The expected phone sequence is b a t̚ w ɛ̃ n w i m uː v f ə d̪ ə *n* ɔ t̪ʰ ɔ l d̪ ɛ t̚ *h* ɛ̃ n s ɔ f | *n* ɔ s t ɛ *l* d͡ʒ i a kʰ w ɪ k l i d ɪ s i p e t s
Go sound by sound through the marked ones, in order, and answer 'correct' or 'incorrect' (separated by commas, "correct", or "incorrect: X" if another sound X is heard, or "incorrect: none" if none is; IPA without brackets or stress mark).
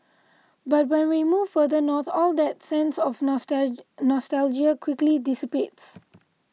correct, incorrect: s, correct, correct